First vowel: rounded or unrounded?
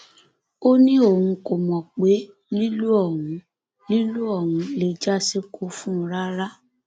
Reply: rounded